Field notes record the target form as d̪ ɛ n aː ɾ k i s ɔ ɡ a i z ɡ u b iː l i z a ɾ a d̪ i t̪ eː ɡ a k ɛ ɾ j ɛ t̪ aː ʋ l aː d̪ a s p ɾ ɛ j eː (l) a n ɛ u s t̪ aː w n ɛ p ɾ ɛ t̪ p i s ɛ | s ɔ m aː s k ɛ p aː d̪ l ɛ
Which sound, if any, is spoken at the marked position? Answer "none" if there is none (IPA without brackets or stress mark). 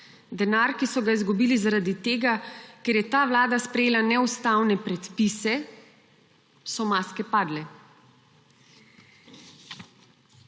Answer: l